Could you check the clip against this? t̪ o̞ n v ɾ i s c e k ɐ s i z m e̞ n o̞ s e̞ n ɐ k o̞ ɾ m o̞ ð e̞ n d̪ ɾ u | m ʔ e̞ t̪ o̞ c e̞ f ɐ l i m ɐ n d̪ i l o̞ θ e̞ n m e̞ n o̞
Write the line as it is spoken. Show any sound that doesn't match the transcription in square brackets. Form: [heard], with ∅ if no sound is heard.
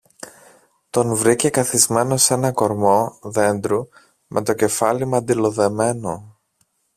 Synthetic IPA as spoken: t̪ o̞ n v ɾ i [∅] c e k ɐ [θ] i z m e̞ n o̞ s e̞ n ɐ k o̞ ɾ m o̞ ð e̞ n d̪ ɾ u | m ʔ e̞ t̪ o̞ c e̞ f ɐ l i m ɐ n d̪ i l o̞ [ð] e̞ [∅] m e̞ n o̞